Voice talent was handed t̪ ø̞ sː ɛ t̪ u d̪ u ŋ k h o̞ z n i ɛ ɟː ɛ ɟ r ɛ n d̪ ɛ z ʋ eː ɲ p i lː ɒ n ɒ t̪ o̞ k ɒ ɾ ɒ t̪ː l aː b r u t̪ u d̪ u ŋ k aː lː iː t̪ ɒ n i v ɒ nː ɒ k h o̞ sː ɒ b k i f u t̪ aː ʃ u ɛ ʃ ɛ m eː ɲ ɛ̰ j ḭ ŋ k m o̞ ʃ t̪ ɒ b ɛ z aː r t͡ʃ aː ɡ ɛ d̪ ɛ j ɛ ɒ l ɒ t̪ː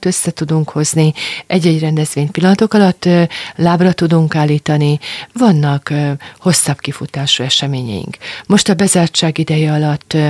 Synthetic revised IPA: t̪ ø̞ sː ɛ t̪ u d̪ u ŋ k h o̞ z n i ɛ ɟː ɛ ɟ r ɛ n d̪ ɛ z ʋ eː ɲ p i lː ɒ n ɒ t̪ o̞ k ɒ l ɒ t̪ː l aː b r ɒ t̪ u d̪ u ŋ k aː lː iː t̪ ɒ n i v ɒ nː ɒ k h o̞ sː ɒ b k i f u t̪ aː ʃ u ɛ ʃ ɛ m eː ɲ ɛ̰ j ḭ ŋ k m o̞ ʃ t̪ ɒ b ɛ z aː r t͡ʃ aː ɡ i d̪ ɛ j ɛ ɒ l ɒ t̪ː